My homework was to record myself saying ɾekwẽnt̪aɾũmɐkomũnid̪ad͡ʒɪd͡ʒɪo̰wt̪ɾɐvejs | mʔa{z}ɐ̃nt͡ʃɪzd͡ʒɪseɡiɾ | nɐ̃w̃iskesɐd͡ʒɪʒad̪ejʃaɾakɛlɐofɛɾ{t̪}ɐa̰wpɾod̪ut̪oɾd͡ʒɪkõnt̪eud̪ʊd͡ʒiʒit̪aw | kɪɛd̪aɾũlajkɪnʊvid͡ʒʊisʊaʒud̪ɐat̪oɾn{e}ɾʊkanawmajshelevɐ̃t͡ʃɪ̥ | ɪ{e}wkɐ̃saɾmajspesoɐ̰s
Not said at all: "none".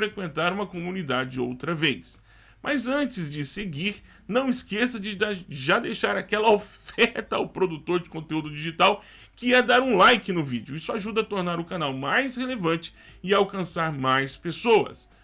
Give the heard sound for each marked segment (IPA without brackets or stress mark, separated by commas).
z, t̪, a, a